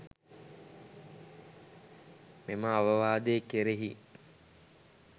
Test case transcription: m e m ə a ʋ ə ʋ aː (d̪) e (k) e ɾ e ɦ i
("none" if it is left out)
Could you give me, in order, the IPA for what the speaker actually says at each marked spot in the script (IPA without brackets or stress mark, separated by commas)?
d̪, k